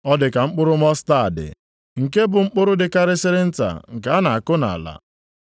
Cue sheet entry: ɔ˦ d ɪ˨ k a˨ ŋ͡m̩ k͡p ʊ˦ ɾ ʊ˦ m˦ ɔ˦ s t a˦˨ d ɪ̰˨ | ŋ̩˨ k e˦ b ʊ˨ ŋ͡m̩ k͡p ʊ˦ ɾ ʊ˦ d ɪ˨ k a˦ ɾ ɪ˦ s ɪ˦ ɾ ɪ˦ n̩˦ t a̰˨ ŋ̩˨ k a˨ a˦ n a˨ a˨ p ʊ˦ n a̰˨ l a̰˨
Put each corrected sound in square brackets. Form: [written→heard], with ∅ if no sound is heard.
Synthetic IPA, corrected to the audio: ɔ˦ d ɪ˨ k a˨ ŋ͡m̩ k͡p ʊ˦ ɾ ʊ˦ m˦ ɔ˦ s t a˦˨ d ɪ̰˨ | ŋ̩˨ k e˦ b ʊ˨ ŋ͡m̩ k͡p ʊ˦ ɾ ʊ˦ d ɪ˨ k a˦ ɾ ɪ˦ s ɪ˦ ɾ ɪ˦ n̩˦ t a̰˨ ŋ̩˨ k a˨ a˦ n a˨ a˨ [p→k] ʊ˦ n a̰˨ l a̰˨